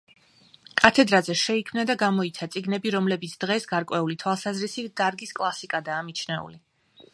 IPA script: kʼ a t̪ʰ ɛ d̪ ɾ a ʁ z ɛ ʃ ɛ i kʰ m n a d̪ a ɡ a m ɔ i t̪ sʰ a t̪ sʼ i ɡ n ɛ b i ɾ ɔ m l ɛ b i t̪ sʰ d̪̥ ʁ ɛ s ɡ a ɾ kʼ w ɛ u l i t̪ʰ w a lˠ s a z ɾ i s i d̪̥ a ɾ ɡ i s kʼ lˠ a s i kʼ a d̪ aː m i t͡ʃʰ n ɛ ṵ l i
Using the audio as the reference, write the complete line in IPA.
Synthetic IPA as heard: kʼ a t̪ʰ ɛ d̪ ɾ a z ɛ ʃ ɛ i kʰ m n a d̪ a ɡ a m ɔ i t̪ sʰ a t̪ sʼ i ɡ n ɛ b i ɾ ɔ m l ɛ b i t̪ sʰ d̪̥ ʁ ɛ s ɡ a ɾ kʼ w ɛ u l i t̪ʰ w a lˠ s a z ɾ i s i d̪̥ a ɾ ɡ i s kʼ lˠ a s i kʼ a d̪ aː m i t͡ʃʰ n ɛ ṵ l i

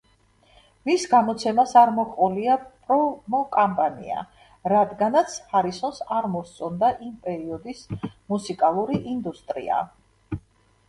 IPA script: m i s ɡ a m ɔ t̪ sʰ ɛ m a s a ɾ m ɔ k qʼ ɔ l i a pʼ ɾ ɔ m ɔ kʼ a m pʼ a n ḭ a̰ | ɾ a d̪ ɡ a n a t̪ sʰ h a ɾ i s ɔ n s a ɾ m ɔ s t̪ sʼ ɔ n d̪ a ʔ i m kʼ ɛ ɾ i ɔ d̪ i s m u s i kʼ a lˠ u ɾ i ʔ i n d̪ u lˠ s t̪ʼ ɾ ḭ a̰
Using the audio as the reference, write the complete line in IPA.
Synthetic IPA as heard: m i s ɡ a m ɔ t̪ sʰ ɛ m a s a ɾ m ɔ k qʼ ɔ l i a pʼ ɾ ɔ m ɔ kʼ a m pʼ a n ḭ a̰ | ɾ a d̪ ɡ a n a t̪ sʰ h a ɾ i s ɔ n s a ɾ m ɔ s t̪ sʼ ɔ n d̪ a ʔ i m pʼ ɛ ɾ i ɔ d̪ i s m u s i kʼ a lˠ u ɾ i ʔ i n d̪ u s t̪ʼ ɾ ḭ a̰

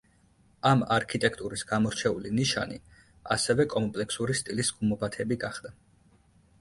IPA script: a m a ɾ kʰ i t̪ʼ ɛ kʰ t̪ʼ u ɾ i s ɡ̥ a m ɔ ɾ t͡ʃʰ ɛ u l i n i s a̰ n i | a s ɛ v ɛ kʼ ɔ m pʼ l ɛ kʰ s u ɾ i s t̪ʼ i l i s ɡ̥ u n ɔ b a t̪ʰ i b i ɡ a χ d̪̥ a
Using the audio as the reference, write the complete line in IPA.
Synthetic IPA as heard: a m a ɾ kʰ i t̪ʼ ɛ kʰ t̪ʼ u ɾ i s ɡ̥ a m ɔ ɾ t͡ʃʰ ɛ u l i n i ʃ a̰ n i | a s ɛ v ɛ kʼ ɔ m pʼ l ɛ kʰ s u ɾ i s t̪ʼ i l i s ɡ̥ u m ɔ b a t̪ʰ ɛ b i ɡ a χ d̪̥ a

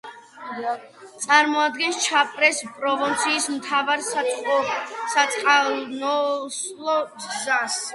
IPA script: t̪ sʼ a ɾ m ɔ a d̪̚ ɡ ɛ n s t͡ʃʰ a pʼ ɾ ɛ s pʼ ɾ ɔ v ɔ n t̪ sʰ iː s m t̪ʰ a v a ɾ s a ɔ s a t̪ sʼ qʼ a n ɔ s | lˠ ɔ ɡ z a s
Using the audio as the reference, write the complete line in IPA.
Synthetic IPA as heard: t̪ sʼ a ɾ m ɔ a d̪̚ ɡ ɛ n s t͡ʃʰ a pʼ ɾ ɛ s pʼ ɾ ɔ v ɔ n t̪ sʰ iː s m t̪ʰ a v a ɾ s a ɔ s a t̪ sʼ qʼ a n ɔ s | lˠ ɔ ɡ z a s

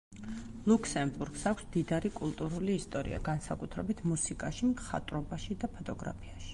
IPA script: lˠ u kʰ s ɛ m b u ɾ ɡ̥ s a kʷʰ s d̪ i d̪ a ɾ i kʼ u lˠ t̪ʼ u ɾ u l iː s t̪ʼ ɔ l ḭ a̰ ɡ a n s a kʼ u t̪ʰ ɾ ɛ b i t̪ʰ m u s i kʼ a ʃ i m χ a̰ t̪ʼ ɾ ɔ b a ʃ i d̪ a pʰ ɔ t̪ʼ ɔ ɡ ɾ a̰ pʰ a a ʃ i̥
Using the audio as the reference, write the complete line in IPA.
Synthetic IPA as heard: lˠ u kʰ s ɛ m b u ɾ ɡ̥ s a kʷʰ s d̪ i d̪ a ɾ i kʼ u lˠ t̪ʼ u ɾ u l iː s t̪ʼ ɔ ɾ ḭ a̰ ɡ a n s a kʼ u t̪ʰ ɾ ɛ b i t̪ʰ m u s i kʼ a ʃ i m χ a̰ t̪ʼ ɾ ɔ b a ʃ i d̪ a pʰ ɔ t̪ʼ ɔ ɡ ɾ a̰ pʰ i a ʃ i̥

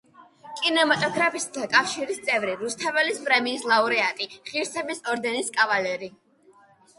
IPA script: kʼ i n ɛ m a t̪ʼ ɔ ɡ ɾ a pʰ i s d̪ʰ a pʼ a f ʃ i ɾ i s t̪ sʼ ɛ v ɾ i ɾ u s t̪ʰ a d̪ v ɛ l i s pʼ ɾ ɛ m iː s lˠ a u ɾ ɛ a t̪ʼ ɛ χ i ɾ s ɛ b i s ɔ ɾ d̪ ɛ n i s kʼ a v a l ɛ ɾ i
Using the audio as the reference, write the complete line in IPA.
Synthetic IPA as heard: kʼ i n ɛ m a t̪ʼ ɔ ɡ ɾ a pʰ i s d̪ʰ a kʼ a f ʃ i ɾ i s t̪ sʼ ɛ v ɾ i ɾ u s t̪ʰ a v ɛ l i s pʼ ɾ ɛ m iː s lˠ a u ɾ ɛ a t̪ʼ i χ i ɾ s ɛ b i s ɔ ɾ d̪ ɛ n i s kʼ a v a l ɛ ɾ i

